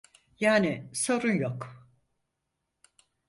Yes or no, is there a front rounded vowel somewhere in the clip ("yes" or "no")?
no